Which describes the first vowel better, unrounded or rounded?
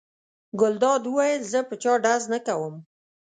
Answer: rounded